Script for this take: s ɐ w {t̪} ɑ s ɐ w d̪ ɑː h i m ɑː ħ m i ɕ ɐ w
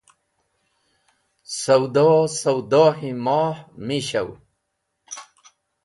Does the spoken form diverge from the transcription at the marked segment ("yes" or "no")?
yes